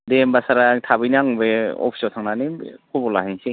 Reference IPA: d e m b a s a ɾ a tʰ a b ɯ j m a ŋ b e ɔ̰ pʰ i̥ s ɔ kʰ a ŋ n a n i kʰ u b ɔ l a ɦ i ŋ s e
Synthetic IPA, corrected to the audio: d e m b a s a ɾ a tʰ a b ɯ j n a ŋ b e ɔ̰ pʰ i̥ s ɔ tʰ a ŋ n a n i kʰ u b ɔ l a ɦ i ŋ s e